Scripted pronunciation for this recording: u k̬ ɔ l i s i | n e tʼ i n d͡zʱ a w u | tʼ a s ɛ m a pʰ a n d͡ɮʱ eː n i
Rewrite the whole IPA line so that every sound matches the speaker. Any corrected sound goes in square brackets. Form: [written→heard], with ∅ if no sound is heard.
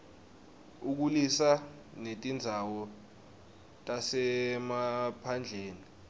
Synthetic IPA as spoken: u k̬ [ɔ→u] l i s [i→a] | n e tʼ i n d͡zʱ a w [u→ɔ] | tʼ a s ɛ m a pʰ a n d͡ɮʱ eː n i